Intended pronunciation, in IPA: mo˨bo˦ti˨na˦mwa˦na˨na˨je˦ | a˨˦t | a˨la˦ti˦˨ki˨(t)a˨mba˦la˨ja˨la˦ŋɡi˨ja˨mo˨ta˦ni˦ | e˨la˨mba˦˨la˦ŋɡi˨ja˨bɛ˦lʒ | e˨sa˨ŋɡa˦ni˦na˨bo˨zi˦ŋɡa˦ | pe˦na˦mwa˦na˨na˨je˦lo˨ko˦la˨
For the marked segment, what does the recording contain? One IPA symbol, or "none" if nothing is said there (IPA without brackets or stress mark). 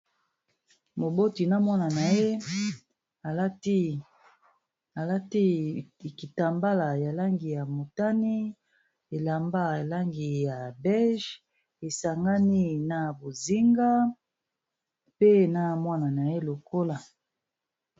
t